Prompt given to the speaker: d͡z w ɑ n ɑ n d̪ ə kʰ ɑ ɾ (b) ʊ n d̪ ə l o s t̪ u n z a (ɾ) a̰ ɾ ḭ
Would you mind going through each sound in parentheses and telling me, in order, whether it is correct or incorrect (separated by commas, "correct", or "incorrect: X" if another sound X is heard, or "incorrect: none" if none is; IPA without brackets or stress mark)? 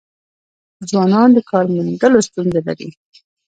incorrect: m, incorrect: l